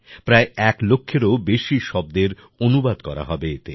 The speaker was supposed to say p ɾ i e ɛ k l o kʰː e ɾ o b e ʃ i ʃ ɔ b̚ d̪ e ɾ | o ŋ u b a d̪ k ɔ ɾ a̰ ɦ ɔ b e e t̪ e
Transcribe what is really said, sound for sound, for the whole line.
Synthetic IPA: p ɾ a e ɛ k l o kʰː e ɾ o b e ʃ i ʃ ɔ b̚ d̪ e ɾ | o n u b a d̪ k ɔ ɾ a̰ ɦ ɔ b e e t̪ e